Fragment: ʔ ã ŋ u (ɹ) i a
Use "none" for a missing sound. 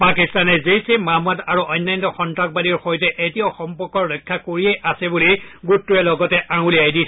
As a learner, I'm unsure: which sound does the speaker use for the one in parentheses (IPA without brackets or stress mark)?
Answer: l